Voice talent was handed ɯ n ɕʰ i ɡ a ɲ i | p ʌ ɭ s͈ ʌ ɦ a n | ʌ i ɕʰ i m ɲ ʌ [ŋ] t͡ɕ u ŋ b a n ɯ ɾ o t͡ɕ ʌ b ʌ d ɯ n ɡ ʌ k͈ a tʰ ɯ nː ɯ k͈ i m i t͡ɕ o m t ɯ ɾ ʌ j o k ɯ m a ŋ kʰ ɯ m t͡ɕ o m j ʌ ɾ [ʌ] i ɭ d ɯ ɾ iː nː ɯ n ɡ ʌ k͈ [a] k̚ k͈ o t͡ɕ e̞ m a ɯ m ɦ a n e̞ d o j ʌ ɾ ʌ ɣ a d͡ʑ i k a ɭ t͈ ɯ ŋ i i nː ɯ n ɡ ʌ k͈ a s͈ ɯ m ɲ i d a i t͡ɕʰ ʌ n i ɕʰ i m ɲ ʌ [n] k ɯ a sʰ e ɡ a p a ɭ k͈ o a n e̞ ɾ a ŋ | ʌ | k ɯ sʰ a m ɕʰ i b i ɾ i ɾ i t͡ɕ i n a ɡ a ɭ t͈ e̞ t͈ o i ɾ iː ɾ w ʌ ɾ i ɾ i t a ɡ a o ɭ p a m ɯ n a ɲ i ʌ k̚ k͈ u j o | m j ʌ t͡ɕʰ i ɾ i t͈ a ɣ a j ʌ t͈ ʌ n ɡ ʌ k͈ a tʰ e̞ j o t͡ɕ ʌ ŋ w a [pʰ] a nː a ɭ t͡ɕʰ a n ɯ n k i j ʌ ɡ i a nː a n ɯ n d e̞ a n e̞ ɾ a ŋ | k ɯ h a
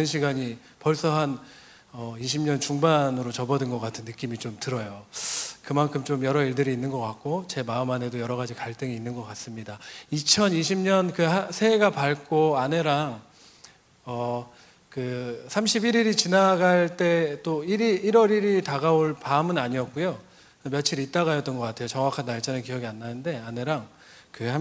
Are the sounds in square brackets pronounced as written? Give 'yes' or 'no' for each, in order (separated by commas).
no, yes, yes, yes, no